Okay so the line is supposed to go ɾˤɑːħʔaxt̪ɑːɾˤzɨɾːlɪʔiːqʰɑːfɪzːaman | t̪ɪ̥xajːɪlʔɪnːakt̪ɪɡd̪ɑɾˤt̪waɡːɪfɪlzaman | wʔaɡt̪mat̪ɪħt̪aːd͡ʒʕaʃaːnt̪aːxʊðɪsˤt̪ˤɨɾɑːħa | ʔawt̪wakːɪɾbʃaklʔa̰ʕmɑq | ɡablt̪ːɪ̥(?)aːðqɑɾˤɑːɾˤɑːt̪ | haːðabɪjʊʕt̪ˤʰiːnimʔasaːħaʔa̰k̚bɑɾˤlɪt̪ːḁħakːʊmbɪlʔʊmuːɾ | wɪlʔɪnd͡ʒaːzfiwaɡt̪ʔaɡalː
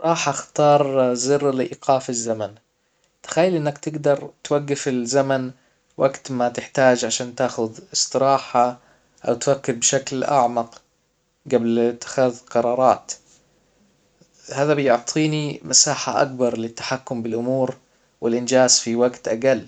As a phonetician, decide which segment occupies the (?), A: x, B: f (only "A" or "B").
A